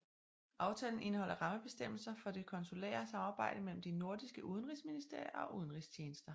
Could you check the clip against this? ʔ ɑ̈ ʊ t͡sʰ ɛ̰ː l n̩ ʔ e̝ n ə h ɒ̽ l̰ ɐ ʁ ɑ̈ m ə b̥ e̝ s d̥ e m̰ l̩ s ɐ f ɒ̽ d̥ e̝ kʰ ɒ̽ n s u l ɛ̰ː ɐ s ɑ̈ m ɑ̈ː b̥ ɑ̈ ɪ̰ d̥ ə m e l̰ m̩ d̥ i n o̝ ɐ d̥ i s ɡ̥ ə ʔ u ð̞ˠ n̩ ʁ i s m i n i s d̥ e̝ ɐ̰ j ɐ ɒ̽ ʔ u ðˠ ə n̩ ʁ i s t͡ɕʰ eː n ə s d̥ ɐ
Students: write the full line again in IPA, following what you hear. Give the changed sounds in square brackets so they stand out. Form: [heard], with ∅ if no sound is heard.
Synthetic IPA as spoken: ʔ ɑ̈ ʊ t͡sʰ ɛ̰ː l n̩ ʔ e̝ n ə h ɒ̽ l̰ ɐ ʁ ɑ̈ m ə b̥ e̝ s d̥ e m̰ l̩ s ɐ f ɒ̽ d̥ e̝ kʰ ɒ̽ n s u l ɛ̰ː ɐ s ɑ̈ m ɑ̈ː b̥ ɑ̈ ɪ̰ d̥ ə m e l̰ m̩ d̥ i n o̝ ɐ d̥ i s ɡ̥ ə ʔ u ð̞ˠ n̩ ʁ i s m i n i s d̥ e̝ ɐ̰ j ɐ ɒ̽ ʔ u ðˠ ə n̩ ʁ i s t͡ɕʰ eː n ə s d̥ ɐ